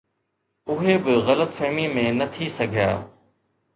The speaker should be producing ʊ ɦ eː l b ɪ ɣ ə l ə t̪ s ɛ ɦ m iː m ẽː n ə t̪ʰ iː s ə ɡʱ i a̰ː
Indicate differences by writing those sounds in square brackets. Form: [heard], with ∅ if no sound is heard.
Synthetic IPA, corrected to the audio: ʊ ɦ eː [∅] b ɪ ɣ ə l ə t̪ [f] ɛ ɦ m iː m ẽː n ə t̪ʰ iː s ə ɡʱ [j] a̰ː